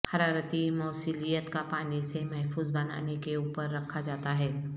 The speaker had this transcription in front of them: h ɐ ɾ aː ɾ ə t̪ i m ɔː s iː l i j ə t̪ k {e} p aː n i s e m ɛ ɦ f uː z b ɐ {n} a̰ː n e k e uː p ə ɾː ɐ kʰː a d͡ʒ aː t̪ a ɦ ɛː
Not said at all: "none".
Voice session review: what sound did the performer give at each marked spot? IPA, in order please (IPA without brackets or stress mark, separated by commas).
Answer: a, n